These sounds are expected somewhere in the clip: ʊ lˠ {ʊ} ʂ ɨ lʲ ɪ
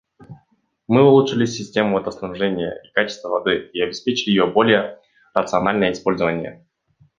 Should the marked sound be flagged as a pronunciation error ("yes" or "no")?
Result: yes